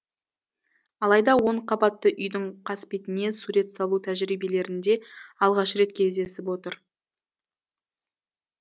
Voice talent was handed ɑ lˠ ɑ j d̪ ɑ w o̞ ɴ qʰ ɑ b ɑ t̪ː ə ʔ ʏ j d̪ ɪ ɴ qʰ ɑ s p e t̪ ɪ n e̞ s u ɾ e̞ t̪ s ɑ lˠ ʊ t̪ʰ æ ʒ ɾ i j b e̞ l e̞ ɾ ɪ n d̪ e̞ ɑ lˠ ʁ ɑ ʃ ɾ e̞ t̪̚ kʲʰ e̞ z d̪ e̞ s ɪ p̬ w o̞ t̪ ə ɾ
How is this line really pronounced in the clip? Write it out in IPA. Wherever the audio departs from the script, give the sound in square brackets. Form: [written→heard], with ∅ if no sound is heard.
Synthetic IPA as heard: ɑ lˠ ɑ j d̪ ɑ w o̞ ɴ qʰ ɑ b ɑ t̪ː ə ʔ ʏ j d̪ ɪ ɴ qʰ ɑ s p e t̪ ɪ n e̞ s u ɾ e̞ t̪ s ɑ lˠ [ʊ→u] t̪ʰ æ ʒ ɾ i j b e̞ l e̞ ɾ ɪ n d̪ e̞ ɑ lˠ ʁ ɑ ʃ ɾ e̞ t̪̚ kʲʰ e̞ z d̪ e̞ s ɪ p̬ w o̞ t̪ ə ɾ